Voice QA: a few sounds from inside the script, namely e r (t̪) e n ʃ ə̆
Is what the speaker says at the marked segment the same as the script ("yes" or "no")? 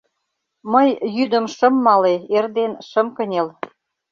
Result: no